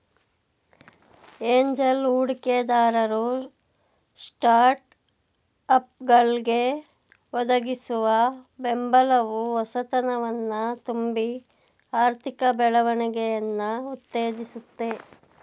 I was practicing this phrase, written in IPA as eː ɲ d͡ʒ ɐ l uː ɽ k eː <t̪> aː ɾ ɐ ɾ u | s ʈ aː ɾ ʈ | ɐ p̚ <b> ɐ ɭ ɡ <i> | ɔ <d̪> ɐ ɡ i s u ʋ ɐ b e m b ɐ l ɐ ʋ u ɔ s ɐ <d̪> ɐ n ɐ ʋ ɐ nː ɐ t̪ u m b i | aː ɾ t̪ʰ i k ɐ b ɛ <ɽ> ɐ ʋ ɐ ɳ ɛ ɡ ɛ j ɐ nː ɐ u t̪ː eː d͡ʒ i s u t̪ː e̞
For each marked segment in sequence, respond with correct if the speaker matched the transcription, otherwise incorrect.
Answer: incorrect: d̪, incorrect: ɡ, incorrect: e, correct, incorrect: t̪, incorrect: ɭ

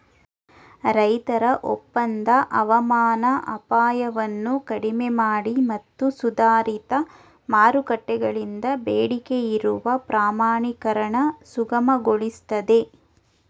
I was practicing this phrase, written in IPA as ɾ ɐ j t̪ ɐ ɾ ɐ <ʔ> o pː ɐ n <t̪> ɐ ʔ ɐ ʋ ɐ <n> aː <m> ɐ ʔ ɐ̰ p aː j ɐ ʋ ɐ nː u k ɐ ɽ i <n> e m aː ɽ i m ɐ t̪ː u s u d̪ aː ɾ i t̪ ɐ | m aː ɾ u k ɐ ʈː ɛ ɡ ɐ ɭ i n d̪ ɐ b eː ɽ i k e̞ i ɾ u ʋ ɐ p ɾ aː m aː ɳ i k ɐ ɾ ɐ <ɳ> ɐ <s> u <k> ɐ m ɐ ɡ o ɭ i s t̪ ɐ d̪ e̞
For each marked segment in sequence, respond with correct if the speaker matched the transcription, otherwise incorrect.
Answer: correct, incorrect: d̪, incorrect: m, incorrect: n, incorrect: m, correct, correct, incorrect: ɡ

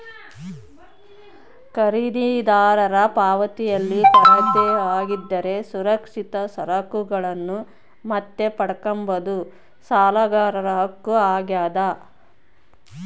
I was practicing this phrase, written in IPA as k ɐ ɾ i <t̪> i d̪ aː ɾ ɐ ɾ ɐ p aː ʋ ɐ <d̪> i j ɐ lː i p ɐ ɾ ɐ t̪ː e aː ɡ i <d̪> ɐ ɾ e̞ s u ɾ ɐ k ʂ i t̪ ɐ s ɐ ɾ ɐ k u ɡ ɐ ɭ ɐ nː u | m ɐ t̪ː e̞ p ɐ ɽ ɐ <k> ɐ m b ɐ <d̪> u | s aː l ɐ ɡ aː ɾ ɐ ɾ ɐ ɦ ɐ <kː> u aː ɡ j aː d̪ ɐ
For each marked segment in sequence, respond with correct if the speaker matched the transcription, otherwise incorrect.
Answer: incorrect: d̪, incorrect: t̪, incorrect: d̪ː, correct, correct, correct

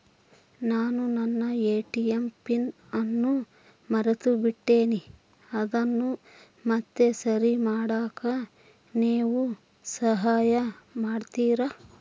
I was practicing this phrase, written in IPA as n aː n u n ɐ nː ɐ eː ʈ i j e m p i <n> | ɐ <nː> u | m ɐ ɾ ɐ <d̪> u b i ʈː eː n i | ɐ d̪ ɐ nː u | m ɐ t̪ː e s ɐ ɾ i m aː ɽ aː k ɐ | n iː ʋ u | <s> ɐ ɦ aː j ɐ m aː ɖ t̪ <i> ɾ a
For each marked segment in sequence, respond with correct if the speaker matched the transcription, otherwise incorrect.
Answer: correct, correct, incorrect: t̪, correct, incorrect: iː

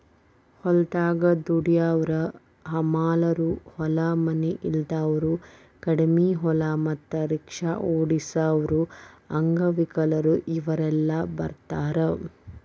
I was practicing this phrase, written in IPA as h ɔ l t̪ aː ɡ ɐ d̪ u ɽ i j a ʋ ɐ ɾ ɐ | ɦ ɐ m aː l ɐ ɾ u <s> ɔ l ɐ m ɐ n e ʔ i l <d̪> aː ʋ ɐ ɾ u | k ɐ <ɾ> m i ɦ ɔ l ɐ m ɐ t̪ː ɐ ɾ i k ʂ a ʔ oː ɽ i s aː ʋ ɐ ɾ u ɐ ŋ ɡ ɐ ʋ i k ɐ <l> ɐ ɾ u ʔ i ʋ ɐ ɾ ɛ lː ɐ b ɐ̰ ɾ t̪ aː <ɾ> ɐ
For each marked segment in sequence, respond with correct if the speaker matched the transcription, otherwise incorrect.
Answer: incorrect: h, correct, incorrect: ɽ, correct, correct

